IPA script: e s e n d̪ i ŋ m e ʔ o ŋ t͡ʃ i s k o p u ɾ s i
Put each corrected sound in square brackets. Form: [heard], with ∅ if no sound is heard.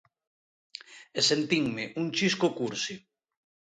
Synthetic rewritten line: e s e n [t̪] i ŋ m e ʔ [u] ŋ t͡ʃ i s k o [k] u ɾ s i

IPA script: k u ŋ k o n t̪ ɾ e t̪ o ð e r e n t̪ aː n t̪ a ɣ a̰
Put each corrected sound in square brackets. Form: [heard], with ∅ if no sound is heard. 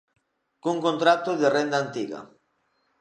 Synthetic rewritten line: k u ŋ k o n t̪ ɾ [a] t̪ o ð e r e n [d̪] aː n t̪ [i] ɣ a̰

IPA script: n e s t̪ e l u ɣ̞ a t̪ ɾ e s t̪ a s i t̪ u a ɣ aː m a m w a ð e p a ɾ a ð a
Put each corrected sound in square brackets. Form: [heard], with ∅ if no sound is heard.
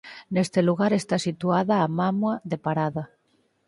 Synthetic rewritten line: n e s t̪ e l u ɣ̞ a [∅] ɾ e s t̪ a s i t̪ u a [ð] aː m a m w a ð e p a ɾ a ð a

